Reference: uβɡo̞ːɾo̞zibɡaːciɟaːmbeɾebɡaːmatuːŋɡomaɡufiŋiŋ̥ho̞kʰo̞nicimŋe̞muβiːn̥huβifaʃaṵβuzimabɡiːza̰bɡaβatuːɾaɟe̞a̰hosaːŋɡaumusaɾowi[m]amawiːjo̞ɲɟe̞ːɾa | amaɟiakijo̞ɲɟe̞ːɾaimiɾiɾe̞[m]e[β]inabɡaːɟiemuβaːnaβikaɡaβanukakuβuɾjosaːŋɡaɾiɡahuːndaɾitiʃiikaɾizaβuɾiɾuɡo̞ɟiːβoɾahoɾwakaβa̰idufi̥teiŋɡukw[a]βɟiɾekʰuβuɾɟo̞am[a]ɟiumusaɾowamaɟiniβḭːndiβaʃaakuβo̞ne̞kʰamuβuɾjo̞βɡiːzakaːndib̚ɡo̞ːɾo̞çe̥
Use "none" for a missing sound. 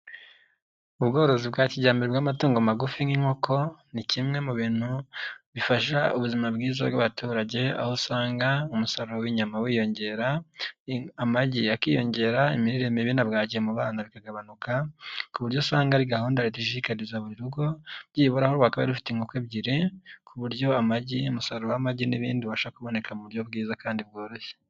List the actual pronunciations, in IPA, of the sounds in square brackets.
ɲ, m, β, e, a

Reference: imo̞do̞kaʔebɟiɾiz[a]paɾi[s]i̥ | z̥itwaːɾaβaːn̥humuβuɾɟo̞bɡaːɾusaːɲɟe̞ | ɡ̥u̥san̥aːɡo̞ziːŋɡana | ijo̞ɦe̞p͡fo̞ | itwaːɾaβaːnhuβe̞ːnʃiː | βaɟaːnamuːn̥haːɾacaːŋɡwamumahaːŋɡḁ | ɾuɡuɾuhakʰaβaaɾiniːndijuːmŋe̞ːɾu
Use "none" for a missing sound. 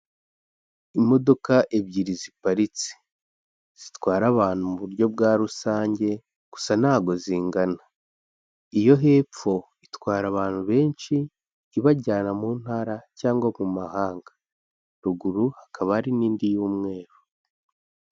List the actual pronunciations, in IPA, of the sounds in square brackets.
i, t͡s

